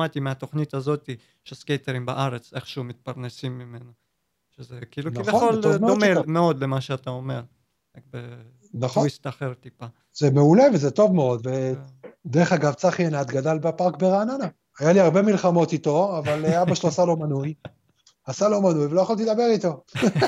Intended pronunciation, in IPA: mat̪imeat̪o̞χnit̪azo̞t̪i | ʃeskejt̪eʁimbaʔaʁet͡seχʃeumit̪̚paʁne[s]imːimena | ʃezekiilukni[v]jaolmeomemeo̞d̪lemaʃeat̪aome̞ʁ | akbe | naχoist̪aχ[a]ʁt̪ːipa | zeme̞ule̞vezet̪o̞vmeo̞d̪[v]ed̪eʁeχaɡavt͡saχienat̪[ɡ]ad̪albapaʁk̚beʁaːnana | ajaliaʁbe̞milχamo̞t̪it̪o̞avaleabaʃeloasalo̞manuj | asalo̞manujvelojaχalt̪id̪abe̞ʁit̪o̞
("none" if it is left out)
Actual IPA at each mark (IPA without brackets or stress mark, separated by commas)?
s, v, e, v, ɡ